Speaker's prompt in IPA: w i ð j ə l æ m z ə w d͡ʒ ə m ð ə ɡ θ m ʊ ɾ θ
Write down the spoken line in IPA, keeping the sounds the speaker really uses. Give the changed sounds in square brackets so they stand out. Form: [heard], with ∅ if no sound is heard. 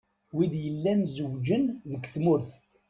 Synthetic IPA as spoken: w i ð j ə [lː] æ [n] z ə w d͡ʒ ə [n] ð ə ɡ θ m ʊ ɾ θ